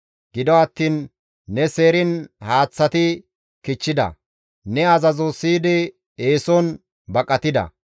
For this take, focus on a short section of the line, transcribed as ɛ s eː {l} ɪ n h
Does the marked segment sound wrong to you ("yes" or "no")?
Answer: yes